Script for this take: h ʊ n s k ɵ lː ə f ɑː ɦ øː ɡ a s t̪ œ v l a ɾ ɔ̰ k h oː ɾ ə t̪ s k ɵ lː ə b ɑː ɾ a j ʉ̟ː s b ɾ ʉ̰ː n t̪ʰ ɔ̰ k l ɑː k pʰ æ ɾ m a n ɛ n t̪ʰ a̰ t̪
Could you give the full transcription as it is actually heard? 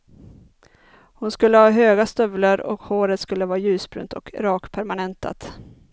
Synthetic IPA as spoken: h ʊ n s k ɵ lː ə h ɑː ɦ øː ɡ a s t̪ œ v l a ɾ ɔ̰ k h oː ɾ ə t̪ s k ɵ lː ə v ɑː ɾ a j ʉ̟ː s b ɾ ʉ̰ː n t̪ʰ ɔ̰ k ɾ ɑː k pʰ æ ɾ m a n ɛ n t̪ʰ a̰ t̪